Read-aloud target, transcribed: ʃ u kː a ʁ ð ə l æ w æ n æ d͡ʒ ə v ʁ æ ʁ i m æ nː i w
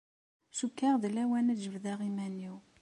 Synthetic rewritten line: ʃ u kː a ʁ ð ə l æ w æ n æ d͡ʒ ə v ð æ ʁ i m æ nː i w